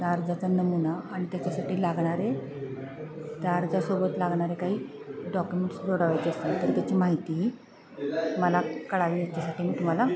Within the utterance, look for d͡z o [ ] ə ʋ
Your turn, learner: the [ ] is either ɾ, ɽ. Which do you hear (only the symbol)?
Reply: ɽ